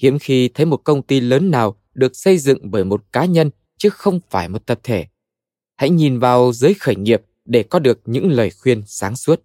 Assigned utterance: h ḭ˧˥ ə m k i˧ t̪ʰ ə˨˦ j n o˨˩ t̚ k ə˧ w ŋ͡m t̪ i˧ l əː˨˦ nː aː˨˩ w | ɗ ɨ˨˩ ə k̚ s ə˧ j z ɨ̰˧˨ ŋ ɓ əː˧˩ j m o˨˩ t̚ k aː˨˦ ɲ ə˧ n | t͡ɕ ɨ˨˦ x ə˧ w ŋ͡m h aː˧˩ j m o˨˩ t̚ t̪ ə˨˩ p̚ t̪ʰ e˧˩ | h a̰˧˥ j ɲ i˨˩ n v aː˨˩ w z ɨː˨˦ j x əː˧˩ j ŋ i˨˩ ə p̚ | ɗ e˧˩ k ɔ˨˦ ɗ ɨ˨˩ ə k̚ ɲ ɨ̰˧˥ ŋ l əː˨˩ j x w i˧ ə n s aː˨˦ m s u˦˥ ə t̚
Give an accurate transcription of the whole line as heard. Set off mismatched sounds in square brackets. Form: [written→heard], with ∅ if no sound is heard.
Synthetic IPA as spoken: h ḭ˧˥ ə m [k→x] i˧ t̪ʰ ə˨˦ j [n→m] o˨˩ t̚ k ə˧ w ŋ͡m t̪ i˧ l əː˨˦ nː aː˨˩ w | ɗ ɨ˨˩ ə k̚ s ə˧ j z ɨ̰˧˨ ŋ ɓ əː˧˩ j m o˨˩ t̚ k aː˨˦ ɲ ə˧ n | t͡ɕ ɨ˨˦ x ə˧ w ŋ͡m [h→f] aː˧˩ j m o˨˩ t̚ t̪ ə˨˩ p̚ t̪ʰ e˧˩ | h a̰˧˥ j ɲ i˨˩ n v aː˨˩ w z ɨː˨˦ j x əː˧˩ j ŋ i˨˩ ə p̚ | ɗ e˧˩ k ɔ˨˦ ɗ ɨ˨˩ ə k̚ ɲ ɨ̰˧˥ ŋ l əː˨˩ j x w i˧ ə n s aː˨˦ [m→ŋ] s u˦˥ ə t̚